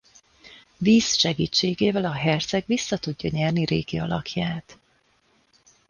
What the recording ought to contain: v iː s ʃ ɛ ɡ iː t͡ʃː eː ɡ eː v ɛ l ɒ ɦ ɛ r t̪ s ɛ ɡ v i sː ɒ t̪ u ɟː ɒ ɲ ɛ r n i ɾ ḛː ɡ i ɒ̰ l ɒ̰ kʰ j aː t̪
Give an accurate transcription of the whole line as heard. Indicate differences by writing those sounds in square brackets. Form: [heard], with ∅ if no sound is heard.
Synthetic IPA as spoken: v iː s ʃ ɛ ɡ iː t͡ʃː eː ɡ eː v ɛ l ɒ ɦ ɛ r t̪ s ɛ ɡ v i sː ɒ t̪ u ɟː ɒ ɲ ɛ r n i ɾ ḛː ɡ i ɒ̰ l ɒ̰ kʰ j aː t̪